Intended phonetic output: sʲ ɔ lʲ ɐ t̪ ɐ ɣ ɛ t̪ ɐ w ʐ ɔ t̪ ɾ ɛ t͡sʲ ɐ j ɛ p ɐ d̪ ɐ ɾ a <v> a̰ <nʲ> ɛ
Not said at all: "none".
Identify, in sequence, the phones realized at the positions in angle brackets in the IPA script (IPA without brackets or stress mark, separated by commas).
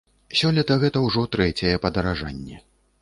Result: ʐ, nʲː